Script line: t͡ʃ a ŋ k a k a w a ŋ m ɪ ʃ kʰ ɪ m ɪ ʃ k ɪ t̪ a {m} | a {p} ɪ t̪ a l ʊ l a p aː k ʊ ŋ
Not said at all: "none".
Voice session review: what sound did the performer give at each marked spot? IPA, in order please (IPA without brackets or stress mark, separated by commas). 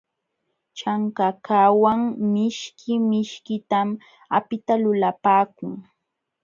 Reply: m, p